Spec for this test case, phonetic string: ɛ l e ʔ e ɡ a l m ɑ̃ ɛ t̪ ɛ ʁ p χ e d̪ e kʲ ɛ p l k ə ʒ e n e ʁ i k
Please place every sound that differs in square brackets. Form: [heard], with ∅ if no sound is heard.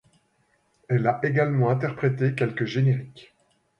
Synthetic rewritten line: ɛ l [a] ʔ e ɡ a l m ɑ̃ [ɛ̃] t̪ ɛ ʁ p χ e [t̪] e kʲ ɛ [∅] l k ə ʒ e n e ʁ i k